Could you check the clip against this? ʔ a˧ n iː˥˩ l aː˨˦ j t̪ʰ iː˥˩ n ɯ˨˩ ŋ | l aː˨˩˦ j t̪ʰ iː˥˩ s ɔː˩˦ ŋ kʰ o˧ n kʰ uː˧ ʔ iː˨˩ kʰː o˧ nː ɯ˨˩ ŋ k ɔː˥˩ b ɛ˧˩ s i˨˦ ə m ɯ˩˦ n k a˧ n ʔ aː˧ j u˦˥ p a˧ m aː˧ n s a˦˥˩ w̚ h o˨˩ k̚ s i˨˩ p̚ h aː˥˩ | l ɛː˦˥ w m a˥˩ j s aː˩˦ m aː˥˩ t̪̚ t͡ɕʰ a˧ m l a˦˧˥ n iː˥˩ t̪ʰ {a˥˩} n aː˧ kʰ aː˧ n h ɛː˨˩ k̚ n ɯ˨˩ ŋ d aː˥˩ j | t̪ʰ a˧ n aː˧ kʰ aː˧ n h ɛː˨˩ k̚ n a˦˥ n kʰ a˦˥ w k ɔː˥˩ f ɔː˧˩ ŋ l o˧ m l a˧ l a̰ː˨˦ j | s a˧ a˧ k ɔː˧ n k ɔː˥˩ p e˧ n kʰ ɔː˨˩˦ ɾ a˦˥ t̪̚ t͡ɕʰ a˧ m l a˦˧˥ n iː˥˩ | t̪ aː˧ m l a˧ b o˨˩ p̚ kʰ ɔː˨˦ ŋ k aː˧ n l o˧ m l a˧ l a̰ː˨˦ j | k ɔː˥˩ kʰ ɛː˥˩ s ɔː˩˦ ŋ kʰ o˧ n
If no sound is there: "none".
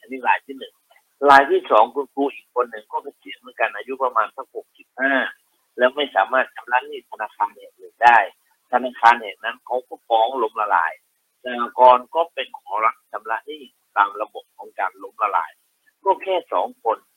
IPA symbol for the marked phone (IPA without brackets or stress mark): a˧